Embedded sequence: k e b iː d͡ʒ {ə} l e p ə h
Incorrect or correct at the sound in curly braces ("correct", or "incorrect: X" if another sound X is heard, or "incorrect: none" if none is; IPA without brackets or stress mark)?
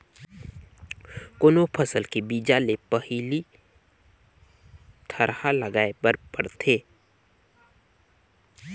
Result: incorrect: a